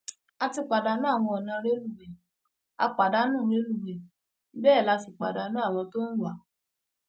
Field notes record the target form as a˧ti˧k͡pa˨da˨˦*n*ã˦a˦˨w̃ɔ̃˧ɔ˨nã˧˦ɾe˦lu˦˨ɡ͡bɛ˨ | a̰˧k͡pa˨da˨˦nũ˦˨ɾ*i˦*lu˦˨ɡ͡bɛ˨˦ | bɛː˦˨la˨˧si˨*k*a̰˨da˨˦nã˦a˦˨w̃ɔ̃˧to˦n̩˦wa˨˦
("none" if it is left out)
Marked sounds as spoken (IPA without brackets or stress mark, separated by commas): n, e˦, k͡p